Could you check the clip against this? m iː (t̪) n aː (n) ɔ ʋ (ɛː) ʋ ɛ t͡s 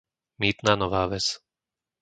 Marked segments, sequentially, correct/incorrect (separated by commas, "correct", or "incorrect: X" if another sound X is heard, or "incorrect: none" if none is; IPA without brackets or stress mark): correct, correct, incorrect: aː